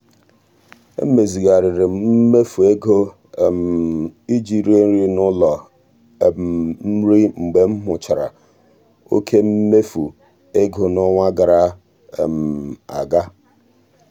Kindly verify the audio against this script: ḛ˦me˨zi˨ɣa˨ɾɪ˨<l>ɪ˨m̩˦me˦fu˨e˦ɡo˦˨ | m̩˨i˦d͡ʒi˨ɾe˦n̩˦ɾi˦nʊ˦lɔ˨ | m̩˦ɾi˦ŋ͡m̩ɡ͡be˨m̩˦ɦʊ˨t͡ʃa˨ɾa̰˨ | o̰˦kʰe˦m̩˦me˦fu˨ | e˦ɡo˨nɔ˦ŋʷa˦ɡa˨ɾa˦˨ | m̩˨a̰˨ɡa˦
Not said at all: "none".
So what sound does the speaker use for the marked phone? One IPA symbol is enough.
ɾ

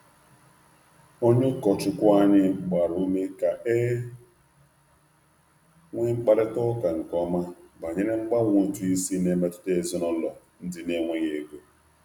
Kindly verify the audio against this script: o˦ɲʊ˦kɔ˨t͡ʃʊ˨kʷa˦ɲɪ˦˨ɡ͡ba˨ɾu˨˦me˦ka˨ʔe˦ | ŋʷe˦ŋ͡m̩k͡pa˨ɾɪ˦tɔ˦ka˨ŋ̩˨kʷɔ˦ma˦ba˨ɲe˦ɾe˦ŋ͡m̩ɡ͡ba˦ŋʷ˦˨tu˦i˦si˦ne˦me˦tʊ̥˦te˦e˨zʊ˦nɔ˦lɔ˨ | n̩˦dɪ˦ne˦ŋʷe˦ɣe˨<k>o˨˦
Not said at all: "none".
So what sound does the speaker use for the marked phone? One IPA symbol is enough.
ɡ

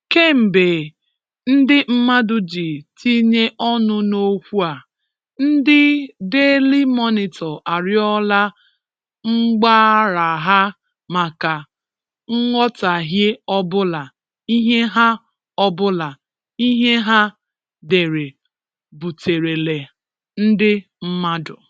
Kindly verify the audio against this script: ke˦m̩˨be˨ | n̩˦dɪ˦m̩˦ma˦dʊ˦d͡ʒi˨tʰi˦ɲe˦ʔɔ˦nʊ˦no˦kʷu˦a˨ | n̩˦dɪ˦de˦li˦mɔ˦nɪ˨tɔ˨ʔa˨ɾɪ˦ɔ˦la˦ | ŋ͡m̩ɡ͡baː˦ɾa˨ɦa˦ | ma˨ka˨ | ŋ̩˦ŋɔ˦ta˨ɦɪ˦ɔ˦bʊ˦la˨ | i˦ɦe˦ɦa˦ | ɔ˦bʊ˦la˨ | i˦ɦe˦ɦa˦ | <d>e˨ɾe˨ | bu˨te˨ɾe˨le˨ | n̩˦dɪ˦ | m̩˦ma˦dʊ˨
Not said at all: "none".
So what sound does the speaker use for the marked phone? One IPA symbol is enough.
d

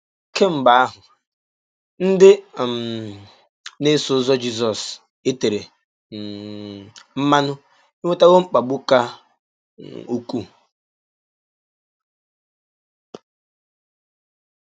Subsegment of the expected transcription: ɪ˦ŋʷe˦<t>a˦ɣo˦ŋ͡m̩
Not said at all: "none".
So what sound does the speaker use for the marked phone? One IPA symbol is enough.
t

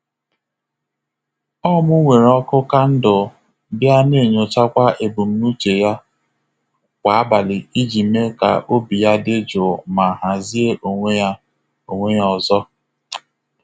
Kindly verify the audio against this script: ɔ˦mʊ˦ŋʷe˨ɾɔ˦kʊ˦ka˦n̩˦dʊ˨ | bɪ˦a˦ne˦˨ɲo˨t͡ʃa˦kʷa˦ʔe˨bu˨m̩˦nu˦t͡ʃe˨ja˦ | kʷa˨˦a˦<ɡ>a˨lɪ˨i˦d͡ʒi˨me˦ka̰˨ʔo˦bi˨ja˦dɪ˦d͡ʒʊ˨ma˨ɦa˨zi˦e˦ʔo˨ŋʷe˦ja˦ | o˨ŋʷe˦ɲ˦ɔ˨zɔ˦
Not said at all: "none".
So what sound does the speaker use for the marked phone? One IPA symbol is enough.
b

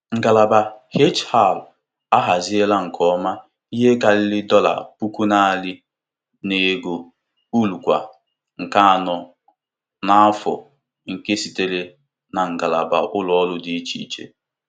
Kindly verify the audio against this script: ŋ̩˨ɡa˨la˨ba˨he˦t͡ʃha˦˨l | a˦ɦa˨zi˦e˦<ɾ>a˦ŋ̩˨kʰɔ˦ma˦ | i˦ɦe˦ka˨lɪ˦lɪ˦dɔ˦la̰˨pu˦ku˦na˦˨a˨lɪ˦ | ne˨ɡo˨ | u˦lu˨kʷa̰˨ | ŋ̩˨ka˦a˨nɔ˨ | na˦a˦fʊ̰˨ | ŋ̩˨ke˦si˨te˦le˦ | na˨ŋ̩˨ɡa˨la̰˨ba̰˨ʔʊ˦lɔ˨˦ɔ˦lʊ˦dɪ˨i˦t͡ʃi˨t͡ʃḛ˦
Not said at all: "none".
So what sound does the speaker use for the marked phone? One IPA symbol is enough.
l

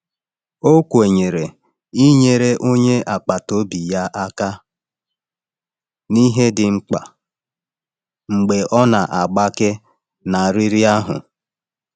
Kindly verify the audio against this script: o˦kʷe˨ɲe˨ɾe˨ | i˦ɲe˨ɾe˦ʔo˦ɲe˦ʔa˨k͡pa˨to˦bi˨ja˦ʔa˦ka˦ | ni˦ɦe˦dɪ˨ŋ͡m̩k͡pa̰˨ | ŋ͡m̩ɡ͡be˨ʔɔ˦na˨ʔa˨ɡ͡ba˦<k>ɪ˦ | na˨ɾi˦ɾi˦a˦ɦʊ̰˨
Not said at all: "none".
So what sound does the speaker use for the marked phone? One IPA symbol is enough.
k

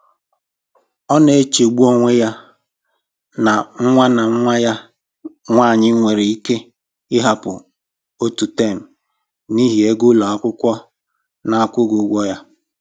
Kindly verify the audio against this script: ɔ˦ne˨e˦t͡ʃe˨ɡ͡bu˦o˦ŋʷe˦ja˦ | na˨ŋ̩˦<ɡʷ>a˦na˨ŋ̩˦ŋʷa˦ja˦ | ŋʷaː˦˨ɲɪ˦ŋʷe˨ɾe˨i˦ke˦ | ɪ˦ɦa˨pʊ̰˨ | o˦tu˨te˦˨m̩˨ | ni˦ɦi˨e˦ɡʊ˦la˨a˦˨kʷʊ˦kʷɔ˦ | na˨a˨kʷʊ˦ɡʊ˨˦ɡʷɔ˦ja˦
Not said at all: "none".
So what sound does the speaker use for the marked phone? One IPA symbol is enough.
ŋʷ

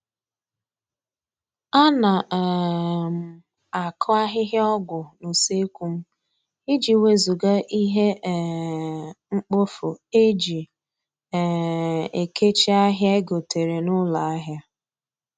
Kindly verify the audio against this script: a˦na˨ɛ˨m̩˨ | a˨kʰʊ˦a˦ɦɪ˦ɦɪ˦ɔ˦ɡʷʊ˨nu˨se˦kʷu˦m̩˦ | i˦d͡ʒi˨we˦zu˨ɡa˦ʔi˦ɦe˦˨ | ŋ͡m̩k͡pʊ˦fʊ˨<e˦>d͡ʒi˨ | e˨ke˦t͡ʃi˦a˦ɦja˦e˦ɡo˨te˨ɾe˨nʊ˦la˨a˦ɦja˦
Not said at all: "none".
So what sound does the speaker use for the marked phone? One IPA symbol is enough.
e˦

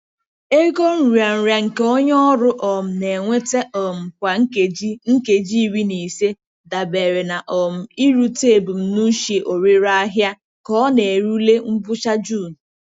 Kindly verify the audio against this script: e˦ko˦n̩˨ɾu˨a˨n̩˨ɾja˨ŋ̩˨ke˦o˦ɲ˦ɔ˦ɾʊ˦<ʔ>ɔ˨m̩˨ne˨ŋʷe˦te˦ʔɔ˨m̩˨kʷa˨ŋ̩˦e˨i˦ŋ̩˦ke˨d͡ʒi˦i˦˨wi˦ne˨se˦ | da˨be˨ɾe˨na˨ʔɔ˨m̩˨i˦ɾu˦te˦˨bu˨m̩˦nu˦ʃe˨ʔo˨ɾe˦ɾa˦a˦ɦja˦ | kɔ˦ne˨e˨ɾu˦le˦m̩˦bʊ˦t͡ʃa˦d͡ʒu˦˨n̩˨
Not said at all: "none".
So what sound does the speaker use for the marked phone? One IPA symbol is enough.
ʔ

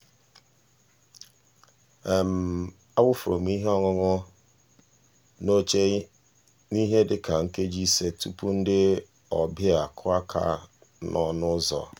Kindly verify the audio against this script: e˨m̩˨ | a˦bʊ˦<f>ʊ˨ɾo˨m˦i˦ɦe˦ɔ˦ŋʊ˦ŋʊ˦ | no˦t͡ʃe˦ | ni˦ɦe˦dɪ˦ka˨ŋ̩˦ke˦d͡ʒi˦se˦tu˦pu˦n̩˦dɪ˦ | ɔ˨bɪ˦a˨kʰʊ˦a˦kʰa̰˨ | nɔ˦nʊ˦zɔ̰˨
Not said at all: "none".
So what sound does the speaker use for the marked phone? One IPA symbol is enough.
f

